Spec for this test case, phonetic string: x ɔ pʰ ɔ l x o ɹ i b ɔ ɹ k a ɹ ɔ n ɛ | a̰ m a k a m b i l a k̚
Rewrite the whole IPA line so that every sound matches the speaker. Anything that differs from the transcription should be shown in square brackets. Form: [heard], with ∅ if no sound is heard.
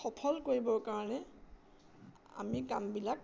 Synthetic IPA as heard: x ɔ pʰ ɔ l [k] o ɹ i b ɔ ɹ k a ɹ ɔ n ɛ | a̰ m [i] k a m b i l a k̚